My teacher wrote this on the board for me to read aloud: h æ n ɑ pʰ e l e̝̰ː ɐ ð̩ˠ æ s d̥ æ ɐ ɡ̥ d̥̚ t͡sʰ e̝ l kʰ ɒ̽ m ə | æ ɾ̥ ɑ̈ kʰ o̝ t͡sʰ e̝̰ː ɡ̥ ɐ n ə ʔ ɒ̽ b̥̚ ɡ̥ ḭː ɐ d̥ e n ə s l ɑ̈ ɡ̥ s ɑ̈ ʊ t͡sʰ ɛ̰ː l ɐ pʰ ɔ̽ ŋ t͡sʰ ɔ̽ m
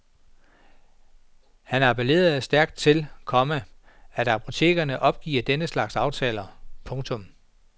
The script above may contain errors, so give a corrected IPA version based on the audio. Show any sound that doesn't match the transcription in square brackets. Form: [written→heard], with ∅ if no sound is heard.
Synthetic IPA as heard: h æ n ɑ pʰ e l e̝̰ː ɐ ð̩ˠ æ s d̥ æ ɐ ɡ̥ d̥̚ t͡sʰ e̝ l kʰ ɒ̽ m ə | æ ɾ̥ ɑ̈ [kʰ→pʰ] o̝ t͡sʰ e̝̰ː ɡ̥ ɐ n ə ʔ ɒ̽ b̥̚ ɡ̥ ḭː ɐ d̥ e n ə s l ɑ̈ ɡ̥ s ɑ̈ ʊ t͡sʰ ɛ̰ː l ɐ pʰ ɔ̽ ŋ t͡sʰ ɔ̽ m